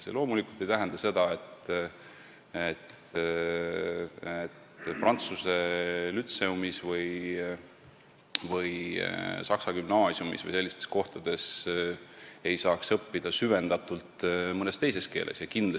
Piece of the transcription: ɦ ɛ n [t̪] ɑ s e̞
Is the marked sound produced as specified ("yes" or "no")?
no